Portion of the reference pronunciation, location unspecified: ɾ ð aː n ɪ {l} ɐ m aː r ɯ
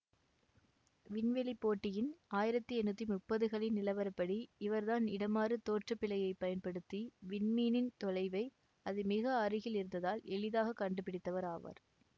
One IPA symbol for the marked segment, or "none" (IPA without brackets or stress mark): ɽ